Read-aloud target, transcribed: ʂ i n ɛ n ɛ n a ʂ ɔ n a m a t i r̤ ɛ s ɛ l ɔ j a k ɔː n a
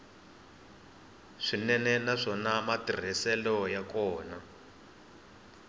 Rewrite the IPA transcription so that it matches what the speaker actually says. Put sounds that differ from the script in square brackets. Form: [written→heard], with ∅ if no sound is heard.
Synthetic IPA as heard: ʂ i n ɛ n ɛ n a ʂ ɔ n a m a t i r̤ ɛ s ɛ l ɔ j a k ɔː n a